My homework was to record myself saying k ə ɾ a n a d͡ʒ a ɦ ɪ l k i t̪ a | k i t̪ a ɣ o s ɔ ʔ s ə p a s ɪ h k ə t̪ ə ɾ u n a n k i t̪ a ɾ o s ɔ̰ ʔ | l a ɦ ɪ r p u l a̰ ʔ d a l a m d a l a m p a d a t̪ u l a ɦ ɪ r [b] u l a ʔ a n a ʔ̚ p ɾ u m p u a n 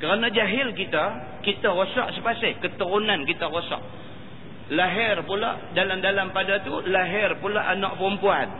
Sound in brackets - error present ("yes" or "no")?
yes